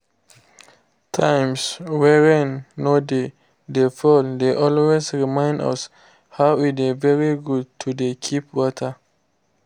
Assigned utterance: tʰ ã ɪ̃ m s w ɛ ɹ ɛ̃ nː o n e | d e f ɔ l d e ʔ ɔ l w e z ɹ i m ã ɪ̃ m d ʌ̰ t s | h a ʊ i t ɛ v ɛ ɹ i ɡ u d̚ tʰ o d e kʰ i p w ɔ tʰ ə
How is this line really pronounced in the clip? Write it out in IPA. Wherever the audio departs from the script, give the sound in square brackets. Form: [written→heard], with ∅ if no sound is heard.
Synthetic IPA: tʰ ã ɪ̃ m s w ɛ ɹ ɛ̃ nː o [n→d] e | d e f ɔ l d e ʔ ɔ l w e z ɹ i m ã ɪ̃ [m→n] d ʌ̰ [t→∅] s | h a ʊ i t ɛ v ɛ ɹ i ɡ u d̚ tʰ [o→u] d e kʰ i p w ɔ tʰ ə